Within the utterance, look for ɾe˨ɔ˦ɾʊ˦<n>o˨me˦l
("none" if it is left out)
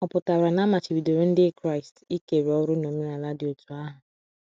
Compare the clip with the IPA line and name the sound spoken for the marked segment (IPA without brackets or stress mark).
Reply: n